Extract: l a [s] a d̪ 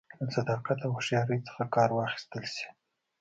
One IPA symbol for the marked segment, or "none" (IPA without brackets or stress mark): s